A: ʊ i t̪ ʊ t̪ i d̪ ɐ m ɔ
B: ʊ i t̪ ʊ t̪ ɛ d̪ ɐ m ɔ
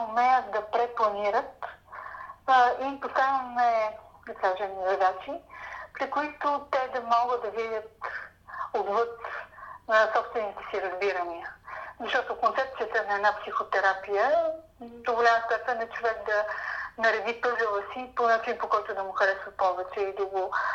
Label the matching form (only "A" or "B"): B